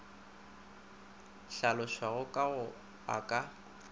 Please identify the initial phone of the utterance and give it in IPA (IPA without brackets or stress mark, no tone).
ɬ